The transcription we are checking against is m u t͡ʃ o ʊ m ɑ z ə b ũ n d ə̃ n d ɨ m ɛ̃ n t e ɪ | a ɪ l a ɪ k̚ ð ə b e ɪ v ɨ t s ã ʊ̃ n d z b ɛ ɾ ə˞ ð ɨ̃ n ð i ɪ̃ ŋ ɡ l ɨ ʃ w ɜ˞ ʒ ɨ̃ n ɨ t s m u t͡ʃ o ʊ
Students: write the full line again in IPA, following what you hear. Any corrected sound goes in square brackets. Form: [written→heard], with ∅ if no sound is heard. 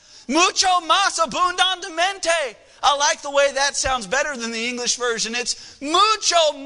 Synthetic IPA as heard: m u t͡ʃ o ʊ m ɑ [z→s] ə b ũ n d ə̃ n d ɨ m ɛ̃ n t e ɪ | a ɪ l a ɪ k̚ ð ə [b→w] e ɪ [v→ð] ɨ t s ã ʊ̃ n d z b ɛ ɾ ə˞ ð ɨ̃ n ð i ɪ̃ ŋ ɡ l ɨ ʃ [w→v] ɜ˞ ʒ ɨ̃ n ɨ t s m u t͡ʃ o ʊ